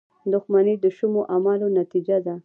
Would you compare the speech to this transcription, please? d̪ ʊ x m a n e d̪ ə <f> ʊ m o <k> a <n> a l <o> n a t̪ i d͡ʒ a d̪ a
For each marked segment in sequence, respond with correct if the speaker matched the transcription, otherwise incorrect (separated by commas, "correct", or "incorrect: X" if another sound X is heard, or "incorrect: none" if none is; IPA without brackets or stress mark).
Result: incorrect: ʃ, incorrect: ʔ, incorrect: m, correct